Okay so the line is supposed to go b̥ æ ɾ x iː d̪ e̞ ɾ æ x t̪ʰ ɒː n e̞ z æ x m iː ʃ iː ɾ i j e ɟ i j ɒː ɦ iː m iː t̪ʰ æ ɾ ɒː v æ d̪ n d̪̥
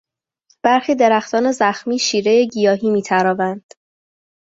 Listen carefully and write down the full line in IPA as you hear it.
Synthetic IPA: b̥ æ ɾ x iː d̪ e̞ ɾ æ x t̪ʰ ɒː n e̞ z æ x m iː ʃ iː ɾ e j e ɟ i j ɒː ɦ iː m iː t̪ʰ æ ɾ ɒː v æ n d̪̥